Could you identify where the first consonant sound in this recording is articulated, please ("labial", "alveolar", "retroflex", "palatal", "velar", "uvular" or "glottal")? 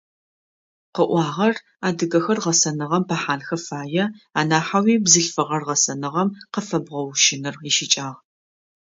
uvular